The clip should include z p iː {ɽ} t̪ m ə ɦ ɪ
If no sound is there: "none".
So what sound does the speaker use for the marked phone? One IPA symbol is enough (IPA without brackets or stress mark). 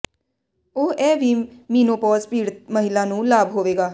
ɽ